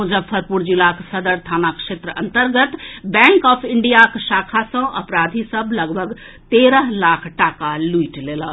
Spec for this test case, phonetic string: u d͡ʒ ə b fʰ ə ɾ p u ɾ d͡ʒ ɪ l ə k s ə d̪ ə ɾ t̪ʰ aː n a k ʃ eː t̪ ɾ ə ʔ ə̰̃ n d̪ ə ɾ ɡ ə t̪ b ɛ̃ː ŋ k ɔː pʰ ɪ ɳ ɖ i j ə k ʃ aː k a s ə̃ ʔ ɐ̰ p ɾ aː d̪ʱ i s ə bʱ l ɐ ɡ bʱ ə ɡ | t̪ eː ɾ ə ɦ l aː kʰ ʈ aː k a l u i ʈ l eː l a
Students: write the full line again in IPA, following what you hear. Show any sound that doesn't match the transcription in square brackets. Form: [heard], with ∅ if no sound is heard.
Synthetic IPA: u d͡ʒ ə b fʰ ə ɾ p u ɾ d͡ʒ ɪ l [a] k s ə d̪ ə ɾ t̪ʰ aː n a k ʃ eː t̪ ɾ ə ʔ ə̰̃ n [t̪] ə ɾ ɡ ə t̪ b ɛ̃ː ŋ k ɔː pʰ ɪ ɳ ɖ i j [a] k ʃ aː [kʰ] a s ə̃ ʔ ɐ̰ p ɾ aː d̪ʱ i s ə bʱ l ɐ ɡ bʱ ə ɡ | t̪ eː ɾ ə ɦ l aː kʰ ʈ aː k a l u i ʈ l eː l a